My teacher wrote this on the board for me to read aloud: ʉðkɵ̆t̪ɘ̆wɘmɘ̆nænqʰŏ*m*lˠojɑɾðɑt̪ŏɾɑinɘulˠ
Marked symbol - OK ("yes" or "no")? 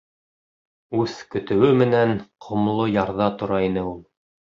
yes